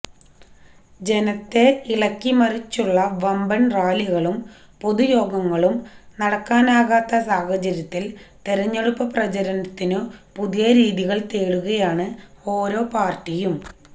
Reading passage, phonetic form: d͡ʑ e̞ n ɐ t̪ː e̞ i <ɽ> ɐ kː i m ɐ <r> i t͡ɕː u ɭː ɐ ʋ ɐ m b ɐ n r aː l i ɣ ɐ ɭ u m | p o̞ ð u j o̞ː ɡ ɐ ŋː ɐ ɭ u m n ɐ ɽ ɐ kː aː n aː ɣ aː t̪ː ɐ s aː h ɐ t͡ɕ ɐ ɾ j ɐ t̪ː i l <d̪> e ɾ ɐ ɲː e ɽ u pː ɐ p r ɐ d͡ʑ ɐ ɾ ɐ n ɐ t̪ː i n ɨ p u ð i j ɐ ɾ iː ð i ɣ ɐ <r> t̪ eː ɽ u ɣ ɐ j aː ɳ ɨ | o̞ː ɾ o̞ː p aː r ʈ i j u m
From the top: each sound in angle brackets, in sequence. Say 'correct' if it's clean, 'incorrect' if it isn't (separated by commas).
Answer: incorrect, correct, incorrect, incorrect